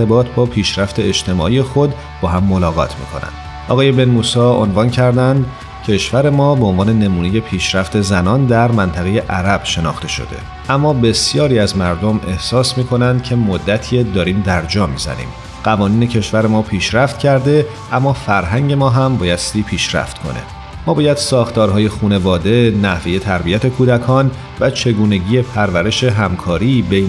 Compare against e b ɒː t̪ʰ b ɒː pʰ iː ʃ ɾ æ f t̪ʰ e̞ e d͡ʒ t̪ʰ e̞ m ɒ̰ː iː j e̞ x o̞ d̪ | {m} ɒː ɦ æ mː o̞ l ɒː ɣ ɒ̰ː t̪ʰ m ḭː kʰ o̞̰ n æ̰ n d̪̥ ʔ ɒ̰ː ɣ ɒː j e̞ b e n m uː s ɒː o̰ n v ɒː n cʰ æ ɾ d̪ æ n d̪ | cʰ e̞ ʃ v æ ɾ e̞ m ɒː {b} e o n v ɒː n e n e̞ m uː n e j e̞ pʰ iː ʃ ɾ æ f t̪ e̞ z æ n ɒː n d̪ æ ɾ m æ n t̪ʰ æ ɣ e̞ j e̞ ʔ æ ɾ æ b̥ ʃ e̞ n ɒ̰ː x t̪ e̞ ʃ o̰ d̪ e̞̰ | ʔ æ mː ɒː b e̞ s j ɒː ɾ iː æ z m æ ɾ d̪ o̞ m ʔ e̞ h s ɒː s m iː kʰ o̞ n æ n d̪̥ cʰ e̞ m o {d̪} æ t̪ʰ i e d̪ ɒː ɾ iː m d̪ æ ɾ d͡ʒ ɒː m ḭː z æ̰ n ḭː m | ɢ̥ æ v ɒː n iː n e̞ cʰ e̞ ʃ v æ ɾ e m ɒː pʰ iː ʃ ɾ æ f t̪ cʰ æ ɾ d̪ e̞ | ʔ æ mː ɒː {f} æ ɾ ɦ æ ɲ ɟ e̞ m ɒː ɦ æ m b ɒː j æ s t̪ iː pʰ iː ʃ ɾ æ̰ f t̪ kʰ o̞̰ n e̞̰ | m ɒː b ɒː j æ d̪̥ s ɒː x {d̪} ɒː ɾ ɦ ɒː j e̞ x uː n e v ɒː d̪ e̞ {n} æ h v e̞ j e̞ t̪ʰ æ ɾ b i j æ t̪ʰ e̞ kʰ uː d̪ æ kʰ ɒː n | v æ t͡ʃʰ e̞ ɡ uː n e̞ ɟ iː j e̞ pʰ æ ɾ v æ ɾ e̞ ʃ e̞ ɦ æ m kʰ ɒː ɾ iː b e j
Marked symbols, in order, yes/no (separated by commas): no, yes, no, yes, no, yes